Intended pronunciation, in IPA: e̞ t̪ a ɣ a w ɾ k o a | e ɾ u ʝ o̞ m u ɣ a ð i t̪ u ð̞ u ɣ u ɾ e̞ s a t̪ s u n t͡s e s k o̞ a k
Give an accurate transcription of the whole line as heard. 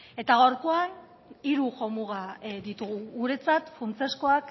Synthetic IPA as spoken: e̞ t̪ a ɣ a w ɾ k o a | i ɾ u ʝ o̞ m u ɣ a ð i t̪ u ɣ̞ u ɣ u ɾ e̞ t͡s a t̪ f u n t͡s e s k o̞ a k